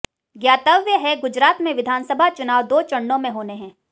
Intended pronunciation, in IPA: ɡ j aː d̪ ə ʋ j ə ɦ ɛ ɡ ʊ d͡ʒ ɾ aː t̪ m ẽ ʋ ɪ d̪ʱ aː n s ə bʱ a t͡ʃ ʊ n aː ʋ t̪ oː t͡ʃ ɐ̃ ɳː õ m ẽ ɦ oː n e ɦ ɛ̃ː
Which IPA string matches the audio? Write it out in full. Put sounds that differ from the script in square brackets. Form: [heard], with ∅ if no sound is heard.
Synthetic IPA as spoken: ɡ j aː [t̪] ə ʋ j ə ɦ ɛ ɡ ʊ d͡ʒ ɾ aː t̪ m ẽ ʋ ɪ d̪ʱ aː n s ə bʱ a t͡ʃ ʊ n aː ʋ [d̪] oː t͡ʃ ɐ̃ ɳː õ m ẽ ɦ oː n e ɦ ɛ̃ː